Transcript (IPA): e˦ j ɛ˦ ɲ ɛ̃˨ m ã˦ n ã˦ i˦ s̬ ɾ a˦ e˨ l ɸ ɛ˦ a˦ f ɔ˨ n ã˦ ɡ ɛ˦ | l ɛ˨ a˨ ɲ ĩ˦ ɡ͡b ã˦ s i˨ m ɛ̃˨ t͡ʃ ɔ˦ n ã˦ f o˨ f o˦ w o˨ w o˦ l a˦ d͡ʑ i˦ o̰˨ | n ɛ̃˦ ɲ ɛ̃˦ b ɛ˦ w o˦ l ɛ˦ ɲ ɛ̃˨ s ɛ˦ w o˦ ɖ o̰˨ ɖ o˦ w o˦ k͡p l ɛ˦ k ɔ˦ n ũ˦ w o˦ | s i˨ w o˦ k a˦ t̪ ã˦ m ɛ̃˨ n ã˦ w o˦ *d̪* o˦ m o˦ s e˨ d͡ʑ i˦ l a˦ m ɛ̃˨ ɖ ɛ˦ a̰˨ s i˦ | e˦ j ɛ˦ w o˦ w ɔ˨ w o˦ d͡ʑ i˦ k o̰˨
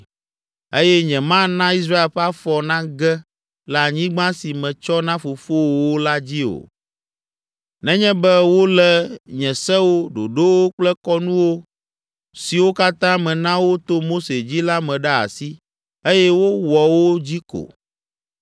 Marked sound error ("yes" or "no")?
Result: yes